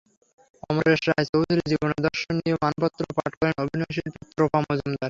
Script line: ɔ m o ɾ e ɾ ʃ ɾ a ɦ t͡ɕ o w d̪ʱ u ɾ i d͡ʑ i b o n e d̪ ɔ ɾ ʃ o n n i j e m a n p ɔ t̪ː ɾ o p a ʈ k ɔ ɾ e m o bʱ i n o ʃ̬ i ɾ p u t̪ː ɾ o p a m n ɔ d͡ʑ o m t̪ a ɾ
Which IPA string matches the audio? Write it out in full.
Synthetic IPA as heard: ɔ m o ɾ e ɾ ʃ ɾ a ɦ t͡ɕ o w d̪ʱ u ɾ i d͡ʑ i b o n e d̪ ɔ ɾ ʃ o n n i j e m a n p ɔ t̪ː ɾ o p a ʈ k ɔ ɾ e n o bʱ i n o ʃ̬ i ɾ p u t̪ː ɾ o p a m n ɔ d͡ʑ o m d̪ a ɾ